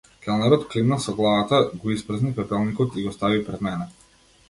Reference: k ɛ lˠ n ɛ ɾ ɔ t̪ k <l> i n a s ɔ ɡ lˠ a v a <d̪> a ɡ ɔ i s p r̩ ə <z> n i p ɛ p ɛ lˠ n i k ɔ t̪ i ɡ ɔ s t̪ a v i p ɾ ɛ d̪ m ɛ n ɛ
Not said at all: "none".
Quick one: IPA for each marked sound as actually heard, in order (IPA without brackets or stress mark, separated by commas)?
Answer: l, t̪, z